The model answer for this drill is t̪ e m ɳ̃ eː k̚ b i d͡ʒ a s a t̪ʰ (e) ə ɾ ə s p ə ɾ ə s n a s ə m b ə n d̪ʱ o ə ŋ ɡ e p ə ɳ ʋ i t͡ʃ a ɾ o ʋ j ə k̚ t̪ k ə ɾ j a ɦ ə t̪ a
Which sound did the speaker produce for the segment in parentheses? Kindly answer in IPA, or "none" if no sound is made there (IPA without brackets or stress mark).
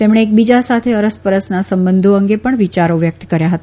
e